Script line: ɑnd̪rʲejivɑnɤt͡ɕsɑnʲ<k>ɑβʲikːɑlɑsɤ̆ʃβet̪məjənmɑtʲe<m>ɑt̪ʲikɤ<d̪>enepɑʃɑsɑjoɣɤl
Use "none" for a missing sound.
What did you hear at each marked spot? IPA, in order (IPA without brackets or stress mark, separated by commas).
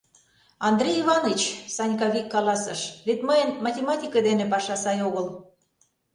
k, m, d̪